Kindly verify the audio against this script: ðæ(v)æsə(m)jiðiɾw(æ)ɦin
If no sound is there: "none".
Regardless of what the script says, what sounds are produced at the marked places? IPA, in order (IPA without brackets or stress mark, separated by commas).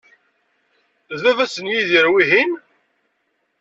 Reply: v, n, i